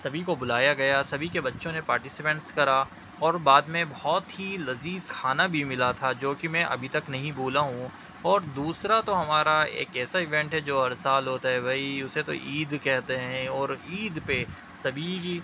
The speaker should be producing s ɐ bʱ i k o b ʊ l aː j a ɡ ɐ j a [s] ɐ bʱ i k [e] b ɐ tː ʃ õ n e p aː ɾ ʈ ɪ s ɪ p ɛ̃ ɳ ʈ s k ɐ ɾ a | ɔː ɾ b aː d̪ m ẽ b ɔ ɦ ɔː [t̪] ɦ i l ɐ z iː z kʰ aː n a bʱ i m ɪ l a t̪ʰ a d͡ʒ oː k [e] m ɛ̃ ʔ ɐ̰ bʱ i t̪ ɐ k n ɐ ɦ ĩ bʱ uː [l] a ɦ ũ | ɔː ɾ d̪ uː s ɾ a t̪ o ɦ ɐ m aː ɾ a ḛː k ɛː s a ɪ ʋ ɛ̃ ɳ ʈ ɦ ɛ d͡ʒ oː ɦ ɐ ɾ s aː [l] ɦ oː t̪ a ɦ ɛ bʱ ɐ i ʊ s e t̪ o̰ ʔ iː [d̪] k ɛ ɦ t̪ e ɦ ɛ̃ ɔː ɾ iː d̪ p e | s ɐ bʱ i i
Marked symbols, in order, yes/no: yes, yes, yes, no, yes, yes, yes

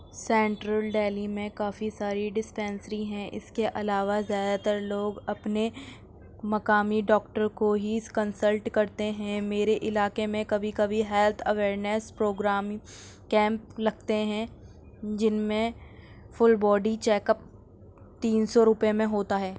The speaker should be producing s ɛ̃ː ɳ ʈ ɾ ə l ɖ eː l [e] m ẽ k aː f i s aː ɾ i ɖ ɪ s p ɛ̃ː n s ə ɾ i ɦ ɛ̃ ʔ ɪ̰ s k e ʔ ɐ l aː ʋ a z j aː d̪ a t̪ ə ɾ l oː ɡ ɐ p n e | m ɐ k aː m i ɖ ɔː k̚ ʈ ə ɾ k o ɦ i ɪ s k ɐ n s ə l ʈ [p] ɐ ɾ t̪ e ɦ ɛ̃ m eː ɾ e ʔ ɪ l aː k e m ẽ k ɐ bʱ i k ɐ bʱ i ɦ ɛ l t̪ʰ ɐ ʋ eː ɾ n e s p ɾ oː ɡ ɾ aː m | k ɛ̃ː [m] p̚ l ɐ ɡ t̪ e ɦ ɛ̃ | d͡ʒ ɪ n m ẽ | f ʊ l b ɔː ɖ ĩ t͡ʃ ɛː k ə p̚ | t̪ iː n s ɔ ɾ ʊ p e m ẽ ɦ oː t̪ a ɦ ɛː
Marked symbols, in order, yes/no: no, no, yes

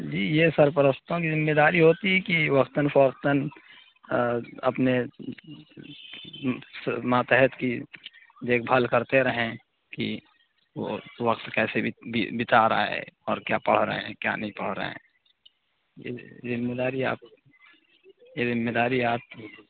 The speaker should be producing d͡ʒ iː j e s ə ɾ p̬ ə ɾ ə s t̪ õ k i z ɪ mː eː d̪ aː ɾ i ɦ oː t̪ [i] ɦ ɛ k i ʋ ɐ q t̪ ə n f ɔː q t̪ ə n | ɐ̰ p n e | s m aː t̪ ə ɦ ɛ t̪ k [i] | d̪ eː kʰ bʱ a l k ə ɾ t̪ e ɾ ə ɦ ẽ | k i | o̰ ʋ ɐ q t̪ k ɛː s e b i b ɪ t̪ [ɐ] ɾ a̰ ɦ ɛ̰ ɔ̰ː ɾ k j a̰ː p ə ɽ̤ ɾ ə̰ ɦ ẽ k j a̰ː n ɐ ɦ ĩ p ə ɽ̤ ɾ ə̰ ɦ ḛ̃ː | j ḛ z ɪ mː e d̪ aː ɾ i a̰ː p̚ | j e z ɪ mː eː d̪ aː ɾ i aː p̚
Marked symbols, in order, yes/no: yes, yes, no

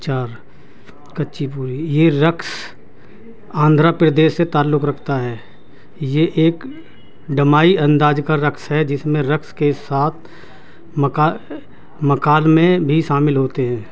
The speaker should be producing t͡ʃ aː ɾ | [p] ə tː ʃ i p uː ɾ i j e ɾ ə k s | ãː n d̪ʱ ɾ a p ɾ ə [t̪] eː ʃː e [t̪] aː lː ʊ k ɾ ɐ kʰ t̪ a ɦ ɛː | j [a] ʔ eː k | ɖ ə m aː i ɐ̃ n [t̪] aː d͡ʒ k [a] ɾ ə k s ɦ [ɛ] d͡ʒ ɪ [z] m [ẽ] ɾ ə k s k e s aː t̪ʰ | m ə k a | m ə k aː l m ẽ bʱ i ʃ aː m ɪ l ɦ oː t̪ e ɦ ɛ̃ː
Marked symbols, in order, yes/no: no, no, yes, no, no, yes, yes, no, yes

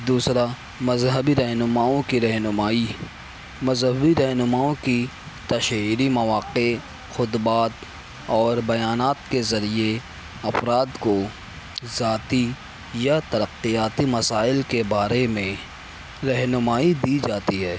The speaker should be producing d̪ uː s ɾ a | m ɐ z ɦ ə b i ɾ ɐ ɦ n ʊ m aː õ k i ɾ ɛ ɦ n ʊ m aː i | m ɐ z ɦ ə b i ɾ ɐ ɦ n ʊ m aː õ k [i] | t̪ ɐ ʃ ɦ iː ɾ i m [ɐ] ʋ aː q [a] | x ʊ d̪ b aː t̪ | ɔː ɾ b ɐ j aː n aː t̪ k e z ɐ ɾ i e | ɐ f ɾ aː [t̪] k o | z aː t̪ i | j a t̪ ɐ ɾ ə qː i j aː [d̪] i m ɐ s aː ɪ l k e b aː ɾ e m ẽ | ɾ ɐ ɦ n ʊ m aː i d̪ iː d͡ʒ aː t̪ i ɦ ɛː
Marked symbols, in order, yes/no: yes, yes, no, no, no

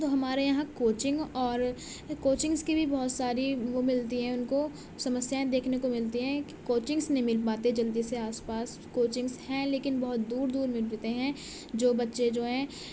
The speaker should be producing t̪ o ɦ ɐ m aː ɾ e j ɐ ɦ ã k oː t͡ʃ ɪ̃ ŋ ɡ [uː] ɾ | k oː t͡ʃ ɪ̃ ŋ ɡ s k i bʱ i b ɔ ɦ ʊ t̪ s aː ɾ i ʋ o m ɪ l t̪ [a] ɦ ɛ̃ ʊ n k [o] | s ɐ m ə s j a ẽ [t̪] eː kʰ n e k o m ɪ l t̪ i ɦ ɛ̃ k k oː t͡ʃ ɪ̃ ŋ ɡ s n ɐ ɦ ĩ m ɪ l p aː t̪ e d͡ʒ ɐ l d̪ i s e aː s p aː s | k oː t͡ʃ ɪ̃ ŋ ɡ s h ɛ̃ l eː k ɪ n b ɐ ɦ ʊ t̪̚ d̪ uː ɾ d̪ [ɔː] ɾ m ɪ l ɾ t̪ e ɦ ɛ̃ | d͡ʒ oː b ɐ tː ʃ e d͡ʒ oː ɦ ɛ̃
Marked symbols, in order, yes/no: no, no, yes, no, no

